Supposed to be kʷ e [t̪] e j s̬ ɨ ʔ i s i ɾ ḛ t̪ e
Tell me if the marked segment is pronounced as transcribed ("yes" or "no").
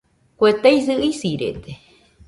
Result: yes